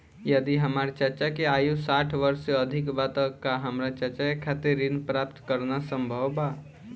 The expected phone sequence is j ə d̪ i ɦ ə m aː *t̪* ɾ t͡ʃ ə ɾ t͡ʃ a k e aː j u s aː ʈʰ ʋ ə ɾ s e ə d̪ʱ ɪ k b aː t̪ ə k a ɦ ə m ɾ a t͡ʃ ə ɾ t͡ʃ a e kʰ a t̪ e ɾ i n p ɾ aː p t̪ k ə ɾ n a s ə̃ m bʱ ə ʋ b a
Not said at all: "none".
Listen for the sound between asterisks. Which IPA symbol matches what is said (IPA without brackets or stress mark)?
none